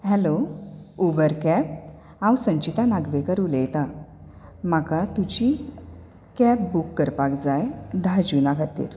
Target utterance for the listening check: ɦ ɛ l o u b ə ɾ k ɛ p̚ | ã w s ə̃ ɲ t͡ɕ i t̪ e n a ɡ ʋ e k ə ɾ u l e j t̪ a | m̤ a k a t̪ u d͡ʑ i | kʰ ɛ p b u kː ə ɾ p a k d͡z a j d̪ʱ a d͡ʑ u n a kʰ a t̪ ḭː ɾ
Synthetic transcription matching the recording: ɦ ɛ l o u b ə ɾ k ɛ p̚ | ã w s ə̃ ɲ t͡ɕ i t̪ a n a ɡ ʋ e k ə ɾ u l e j t̪ a | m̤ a k a t̪ u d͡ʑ i | k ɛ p b u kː ə ɾ p a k d͡z a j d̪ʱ a d͡ʑ u n a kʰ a t̪ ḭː ɾ